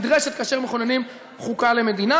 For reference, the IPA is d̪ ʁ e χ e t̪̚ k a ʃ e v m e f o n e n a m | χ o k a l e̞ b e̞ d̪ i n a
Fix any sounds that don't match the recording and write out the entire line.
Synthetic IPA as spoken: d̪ ʁ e ʃ e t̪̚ k a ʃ e ʁ m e χ o n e n i m | χ u k a l e̞ m e̞ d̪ i n a